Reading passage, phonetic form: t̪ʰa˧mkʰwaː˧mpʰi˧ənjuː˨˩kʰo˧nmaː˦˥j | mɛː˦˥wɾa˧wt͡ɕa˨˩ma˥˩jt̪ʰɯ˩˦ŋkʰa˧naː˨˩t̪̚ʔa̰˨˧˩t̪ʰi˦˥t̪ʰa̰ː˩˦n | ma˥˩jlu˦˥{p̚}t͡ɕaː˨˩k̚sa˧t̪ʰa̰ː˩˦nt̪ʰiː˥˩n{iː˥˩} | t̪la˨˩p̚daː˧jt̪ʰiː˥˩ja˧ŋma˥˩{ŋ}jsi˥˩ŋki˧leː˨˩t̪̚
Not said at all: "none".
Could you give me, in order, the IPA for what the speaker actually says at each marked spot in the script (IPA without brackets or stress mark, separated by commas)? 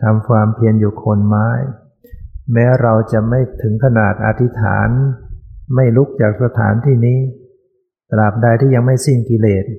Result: k̚, iː˦˥, none